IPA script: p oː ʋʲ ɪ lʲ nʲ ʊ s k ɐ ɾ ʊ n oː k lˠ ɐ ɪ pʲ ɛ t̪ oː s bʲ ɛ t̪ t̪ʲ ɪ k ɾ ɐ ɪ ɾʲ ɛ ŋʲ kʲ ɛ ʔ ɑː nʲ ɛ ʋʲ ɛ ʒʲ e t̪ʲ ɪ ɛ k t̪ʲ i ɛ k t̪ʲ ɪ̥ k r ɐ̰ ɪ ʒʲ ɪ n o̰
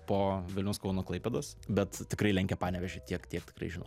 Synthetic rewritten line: p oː ʋʲ ɪ lʲ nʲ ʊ s k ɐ ʊ n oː k lˠ ɐ ɪ pʲ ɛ d̪ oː s bʲ ɛ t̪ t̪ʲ ɪ k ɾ ɐ ɪ lʲ ɛ ŋʲ kʲ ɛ p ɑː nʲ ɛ ʋʲ ɛ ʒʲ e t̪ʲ i ɛ k t̪ʲ i ɛ k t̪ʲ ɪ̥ k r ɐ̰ ɪ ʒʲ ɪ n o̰